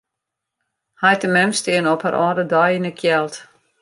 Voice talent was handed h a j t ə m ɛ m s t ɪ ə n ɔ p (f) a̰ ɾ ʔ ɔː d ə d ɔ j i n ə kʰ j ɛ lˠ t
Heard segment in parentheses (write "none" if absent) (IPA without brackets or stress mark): h